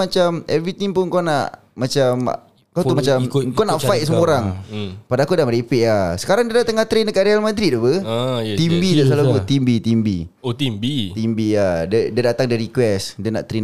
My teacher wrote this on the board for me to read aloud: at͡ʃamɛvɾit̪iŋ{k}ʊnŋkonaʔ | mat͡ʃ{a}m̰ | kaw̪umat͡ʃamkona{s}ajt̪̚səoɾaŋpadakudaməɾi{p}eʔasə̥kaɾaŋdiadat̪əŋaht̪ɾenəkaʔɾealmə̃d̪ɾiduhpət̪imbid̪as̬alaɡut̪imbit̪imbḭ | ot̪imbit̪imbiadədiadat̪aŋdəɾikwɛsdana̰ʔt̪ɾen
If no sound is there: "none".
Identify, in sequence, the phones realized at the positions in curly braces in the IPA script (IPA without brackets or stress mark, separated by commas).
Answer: p, a, f, p